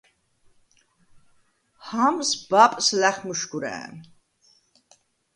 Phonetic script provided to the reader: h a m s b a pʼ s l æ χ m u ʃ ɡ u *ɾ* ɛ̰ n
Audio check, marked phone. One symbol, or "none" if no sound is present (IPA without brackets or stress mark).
ɾ